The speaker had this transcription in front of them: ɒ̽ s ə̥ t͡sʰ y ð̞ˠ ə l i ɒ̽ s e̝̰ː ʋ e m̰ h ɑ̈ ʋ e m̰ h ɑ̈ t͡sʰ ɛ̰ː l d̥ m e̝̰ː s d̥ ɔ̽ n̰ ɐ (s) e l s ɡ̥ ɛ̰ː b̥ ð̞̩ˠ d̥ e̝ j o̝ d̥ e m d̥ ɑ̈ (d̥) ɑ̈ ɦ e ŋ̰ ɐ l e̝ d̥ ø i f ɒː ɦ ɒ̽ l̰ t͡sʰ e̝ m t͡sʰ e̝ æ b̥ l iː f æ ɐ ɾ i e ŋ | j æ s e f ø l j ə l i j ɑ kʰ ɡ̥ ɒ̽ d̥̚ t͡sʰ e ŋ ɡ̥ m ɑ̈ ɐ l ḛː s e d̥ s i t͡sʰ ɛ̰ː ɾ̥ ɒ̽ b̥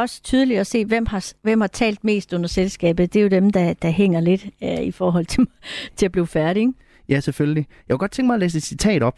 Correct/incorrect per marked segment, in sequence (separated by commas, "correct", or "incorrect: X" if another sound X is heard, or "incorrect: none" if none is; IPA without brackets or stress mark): correct, correct